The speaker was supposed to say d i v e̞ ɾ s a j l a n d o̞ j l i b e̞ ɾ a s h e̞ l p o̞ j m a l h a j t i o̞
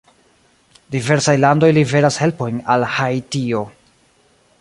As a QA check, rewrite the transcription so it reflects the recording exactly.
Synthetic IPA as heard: d i v e̞ ɾ s a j l a n d o̞ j l i v e̞ ɾ a s h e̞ l p o̞ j n a l h a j t i o̞